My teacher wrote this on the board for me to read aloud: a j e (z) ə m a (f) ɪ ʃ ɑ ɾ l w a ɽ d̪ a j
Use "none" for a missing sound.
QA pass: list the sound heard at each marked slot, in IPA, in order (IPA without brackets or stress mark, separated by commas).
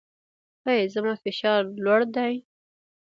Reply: z, f